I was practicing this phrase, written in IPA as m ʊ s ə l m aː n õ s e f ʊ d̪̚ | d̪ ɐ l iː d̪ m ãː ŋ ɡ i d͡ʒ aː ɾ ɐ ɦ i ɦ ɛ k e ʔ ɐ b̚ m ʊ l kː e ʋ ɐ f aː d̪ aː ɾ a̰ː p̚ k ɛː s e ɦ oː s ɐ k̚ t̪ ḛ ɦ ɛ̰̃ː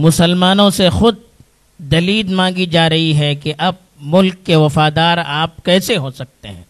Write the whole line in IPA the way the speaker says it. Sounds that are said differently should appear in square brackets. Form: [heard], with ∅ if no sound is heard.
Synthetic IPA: m ʊ s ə l m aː n õ s e [x] ʊ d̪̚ | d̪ ɐ l iː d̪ m ãː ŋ ɡ i d͡ʒ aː ɾ ɐ ɦ i ɦ ɛ k e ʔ ɐ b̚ m ʊ l kː e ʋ ɐ f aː d̪ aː ɾ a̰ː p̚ k ɛː s e ɦ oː s ɐ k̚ t̪ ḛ ɦ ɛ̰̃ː